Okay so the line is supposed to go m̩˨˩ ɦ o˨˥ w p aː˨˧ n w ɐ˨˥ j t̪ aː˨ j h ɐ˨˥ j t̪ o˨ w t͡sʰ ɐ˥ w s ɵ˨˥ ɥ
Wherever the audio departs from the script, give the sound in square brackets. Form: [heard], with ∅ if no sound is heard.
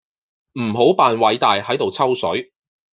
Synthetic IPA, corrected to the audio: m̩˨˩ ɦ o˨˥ w p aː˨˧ n w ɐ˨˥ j t̪ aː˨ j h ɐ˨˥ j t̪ o˨ w t͡sʰ ɐ˥ w s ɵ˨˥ ɥ